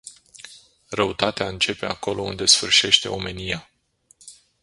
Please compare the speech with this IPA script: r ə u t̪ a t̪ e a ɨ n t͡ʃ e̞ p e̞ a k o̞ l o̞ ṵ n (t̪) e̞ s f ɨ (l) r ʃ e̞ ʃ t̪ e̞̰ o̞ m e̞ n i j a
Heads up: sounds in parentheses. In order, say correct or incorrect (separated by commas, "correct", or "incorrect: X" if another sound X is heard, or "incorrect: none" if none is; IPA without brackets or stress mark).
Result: incorrect: d̪, incorrect: none